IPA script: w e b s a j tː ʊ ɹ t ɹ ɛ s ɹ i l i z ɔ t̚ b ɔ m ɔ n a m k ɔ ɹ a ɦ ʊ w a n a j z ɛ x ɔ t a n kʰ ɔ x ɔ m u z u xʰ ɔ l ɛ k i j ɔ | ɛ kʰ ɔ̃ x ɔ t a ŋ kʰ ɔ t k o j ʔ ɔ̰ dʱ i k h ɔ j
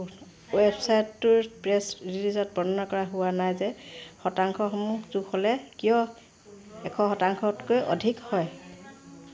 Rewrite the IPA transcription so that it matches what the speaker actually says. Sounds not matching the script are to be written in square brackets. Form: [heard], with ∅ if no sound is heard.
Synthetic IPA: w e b s a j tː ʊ ɹ [p] ɹ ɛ s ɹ i l i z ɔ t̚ b ɔ [n] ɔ n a [∅] k ɔ ɹ a ɦ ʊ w a n a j z ɛ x ɔ t a [ŋ] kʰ ɔ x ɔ m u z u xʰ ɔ l ɛ k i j ɔ | ɛ kʰ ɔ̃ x ɔ t a ŋ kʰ ɔ t k o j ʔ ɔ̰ dʱ i k h ɔ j

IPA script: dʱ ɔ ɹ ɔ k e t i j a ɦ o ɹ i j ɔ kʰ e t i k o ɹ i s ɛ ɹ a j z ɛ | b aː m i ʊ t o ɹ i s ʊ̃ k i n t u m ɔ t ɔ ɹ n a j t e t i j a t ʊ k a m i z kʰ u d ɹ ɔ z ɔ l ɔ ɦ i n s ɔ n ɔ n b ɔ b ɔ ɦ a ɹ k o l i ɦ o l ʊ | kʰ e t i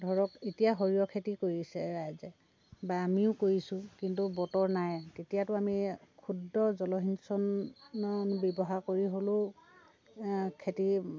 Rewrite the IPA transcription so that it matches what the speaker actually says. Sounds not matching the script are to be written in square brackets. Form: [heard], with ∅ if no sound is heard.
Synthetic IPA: dʱ ɔ ɹ ɔ k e t i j a ɦ o ɹ i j ɔ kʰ e t i k o ɹ i s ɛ ɹ a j z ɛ | b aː m i ʊ [k] o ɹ i s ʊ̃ k i n t u [b] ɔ t ɔ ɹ n a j t e t i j a t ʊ [∅] a m i [∅] kʰ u d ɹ ɔ z ɔ l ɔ ɦ i n s ɔ n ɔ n b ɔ b ɔ ɦ a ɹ k o [ɹ] i ɦ o l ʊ | kʰ e t i

